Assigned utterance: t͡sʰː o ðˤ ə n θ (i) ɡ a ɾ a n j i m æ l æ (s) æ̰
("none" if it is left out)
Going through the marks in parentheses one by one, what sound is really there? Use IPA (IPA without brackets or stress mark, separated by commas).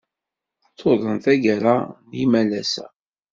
æ, s